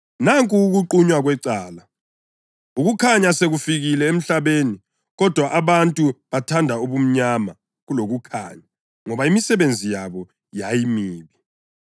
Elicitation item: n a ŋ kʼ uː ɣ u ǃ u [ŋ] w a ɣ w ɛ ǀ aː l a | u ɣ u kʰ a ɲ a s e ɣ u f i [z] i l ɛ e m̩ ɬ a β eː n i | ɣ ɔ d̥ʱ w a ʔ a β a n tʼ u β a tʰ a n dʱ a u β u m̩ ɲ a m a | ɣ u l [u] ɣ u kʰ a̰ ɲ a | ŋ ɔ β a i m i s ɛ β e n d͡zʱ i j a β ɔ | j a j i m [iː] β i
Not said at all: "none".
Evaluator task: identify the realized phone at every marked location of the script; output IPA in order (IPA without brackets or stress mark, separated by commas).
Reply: ɲ, ɣ, o, iː